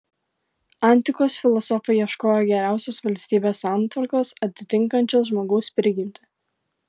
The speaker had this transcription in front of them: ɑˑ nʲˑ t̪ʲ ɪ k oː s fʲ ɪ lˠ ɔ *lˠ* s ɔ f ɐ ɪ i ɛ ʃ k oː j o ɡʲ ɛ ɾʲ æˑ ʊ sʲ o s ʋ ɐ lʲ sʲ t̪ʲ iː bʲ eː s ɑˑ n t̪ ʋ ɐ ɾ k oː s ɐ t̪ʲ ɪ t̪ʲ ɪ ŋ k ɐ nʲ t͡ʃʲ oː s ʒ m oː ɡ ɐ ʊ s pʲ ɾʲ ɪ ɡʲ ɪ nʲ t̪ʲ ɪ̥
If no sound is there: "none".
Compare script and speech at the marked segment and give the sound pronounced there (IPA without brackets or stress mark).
none